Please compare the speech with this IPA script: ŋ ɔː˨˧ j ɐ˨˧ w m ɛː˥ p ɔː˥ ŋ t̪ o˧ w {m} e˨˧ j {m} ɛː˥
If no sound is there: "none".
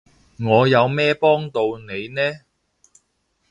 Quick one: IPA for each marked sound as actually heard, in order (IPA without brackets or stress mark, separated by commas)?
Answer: n, n